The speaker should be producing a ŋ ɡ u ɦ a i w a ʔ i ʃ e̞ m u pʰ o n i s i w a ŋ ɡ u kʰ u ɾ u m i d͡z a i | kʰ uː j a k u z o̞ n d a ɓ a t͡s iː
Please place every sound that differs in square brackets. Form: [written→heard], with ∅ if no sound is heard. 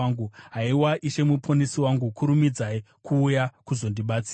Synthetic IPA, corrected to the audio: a ŋ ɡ u ɦ a i w a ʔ i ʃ e̞ m u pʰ o n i s i w a ŋ ɡ u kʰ u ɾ u m i d͡z a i | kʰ uː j a k u z o̞ n d [a→i] ɓ a t͡s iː